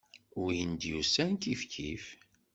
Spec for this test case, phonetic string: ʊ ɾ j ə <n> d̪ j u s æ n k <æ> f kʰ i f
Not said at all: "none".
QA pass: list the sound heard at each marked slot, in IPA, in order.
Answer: n, i

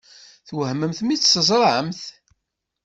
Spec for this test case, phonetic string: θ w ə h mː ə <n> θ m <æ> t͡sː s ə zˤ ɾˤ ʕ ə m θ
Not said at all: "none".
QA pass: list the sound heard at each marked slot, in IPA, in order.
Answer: m, i

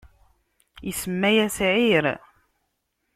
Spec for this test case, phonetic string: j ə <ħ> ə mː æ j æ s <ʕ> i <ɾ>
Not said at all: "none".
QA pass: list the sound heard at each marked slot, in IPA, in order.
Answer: s, ʕ, ɾ

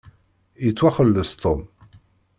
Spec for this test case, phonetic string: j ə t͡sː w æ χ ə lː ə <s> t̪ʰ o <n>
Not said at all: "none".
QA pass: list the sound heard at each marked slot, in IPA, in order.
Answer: s, m

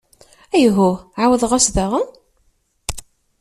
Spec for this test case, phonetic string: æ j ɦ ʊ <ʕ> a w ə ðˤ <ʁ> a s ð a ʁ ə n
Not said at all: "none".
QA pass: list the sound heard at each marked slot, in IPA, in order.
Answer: ʕ, ʁ

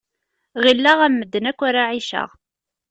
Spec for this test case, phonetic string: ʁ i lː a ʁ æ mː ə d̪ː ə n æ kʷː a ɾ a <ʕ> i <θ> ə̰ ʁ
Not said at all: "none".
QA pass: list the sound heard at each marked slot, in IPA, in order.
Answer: ʕ, ʃ

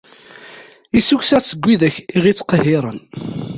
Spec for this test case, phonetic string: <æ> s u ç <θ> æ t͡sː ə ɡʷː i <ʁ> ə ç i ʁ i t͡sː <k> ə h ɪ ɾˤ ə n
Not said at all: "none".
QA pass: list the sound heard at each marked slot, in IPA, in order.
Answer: i, s, ð, q

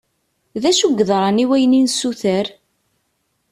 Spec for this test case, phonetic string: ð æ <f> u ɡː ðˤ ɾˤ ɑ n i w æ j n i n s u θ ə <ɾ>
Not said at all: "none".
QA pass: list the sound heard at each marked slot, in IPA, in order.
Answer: ʃ, ɾ

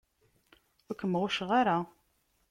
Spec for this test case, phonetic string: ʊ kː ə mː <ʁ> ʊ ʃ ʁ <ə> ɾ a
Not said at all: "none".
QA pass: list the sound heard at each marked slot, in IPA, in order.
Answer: ʁ, a

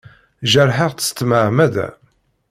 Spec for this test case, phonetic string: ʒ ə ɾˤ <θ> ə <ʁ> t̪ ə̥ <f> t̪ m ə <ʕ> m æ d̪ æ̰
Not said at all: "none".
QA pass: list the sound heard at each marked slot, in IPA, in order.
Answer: ħ, ʁ, s, ʕ

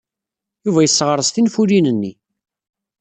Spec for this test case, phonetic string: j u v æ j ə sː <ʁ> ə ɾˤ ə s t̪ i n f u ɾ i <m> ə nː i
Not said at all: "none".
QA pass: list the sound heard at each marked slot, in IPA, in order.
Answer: ʁ, n

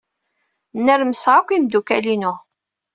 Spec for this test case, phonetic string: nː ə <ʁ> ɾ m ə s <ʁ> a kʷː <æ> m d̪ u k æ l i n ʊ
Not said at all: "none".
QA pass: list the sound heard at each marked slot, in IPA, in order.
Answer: none, ʁ, i

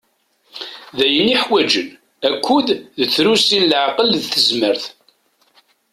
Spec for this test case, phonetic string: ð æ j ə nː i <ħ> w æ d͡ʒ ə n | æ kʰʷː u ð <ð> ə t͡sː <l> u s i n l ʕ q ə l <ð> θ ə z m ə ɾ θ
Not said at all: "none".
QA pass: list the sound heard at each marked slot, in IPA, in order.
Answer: ħ, ð, ɾ, ð

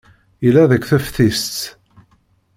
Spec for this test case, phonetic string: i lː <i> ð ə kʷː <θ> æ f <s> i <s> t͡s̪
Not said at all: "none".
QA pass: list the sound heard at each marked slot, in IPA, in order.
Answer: æ, θ, θ, s

